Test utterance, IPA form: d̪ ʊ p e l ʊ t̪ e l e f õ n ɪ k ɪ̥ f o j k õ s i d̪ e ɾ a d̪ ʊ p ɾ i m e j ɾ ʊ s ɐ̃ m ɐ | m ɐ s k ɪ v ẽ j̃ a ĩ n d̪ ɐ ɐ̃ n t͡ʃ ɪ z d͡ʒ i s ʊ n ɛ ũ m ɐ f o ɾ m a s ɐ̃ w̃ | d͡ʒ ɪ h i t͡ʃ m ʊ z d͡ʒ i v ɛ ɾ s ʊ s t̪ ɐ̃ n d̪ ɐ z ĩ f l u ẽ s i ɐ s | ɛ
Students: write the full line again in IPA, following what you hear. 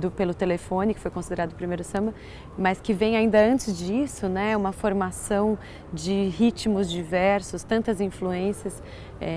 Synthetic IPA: d̪ ʊ p e l ʊ t̪ e l e f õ n ɪ k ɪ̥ f o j k õ s i d̪ e ɾ a d̪ ʊ p ɾ i m e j ɾ ʊ s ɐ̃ m ɐ | m ɐ s k ɪ v ẽ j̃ a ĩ n d̪ ɐ ɐ̃ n t͡ʃ ɪ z d͡ʒ i s ʊ n ɛ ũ m ɐ f o ɾ m a s ɐ̃ w̃ | d͡ʒ ɪ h i t͡ʃ m ʊ z d͡ʒ i v ɛ ɾ s ʊ s t̪ ɐ̃ n t̪ ɐ z ĩ f l u ẽ s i ɐ s | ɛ